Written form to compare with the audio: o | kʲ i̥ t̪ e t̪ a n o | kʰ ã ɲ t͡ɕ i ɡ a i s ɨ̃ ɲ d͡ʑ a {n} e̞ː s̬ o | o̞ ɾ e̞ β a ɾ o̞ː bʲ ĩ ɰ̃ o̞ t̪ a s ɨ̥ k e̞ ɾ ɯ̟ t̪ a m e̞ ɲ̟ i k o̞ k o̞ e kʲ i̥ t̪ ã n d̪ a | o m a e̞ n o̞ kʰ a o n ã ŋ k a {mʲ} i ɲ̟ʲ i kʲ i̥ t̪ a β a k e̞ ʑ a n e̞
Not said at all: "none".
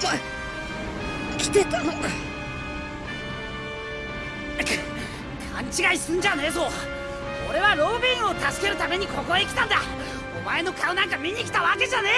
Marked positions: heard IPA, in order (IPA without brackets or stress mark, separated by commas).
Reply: n, mʲ